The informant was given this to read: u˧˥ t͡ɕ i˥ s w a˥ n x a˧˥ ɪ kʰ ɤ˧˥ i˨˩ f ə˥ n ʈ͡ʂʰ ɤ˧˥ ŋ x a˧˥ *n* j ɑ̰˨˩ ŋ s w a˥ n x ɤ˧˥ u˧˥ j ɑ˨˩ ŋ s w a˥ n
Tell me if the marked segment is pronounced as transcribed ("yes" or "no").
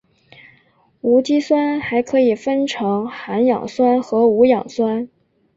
yes